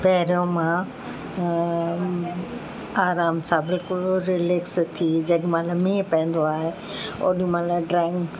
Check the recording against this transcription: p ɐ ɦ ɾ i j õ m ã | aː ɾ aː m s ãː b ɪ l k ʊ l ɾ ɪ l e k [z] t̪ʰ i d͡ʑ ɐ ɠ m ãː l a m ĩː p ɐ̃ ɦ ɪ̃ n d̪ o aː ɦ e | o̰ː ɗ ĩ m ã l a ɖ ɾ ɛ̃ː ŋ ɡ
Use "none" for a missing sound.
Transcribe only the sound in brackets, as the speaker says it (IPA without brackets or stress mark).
s